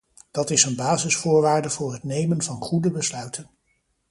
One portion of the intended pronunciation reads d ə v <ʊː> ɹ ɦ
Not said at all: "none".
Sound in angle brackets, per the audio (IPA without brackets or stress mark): ʊː